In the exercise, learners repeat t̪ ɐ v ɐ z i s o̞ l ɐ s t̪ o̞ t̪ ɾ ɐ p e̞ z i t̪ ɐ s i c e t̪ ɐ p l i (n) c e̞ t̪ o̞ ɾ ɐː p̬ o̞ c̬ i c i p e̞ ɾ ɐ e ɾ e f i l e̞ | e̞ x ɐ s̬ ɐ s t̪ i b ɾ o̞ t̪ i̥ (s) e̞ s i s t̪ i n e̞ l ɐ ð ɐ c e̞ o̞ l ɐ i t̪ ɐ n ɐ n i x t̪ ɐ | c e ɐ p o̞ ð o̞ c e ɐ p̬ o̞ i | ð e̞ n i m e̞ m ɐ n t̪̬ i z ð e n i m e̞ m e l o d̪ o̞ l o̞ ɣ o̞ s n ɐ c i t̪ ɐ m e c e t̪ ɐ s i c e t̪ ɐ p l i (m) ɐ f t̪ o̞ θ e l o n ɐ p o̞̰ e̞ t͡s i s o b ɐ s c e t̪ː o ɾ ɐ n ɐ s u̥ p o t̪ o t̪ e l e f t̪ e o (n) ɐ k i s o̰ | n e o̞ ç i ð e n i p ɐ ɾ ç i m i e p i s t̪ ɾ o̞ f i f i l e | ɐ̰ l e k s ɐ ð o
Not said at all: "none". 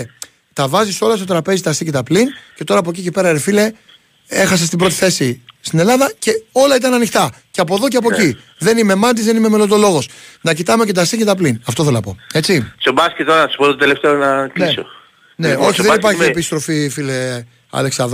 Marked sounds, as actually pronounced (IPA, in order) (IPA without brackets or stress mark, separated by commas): n, θ, n, n